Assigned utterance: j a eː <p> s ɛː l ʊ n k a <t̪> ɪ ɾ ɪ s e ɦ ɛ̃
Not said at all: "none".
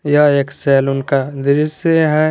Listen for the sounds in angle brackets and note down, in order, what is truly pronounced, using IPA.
k, d̪

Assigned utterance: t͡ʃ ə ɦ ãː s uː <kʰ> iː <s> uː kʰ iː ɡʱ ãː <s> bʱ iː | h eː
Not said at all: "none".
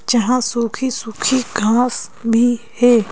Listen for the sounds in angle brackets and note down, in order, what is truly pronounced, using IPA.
kʰ, s, s

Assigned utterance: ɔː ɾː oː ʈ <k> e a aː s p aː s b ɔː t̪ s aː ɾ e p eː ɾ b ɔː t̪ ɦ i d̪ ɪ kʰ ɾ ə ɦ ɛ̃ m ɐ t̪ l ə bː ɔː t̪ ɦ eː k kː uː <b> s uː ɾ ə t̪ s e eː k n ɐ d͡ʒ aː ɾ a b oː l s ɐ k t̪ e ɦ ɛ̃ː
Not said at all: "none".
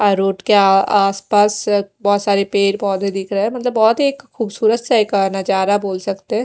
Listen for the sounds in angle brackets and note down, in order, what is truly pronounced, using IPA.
k, b

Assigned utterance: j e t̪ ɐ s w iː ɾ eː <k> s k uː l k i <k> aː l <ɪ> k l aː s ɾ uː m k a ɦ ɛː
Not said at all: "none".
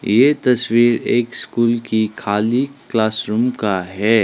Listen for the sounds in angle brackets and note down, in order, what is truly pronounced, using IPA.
k, kʰ, i

